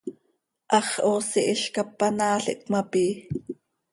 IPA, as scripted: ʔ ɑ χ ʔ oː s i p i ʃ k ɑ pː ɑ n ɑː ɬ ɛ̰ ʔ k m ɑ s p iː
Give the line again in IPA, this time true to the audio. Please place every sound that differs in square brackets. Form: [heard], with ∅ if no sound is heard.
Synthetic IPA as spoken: ʔ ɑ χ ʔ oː s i [ʔ] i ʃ k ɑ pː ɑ n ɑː ɬ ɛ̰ ʔ k m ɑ [∅] p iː